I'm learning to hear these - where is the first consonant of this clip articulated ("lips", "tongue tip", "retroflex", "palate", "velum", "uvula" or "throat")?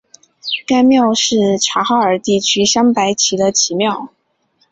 velum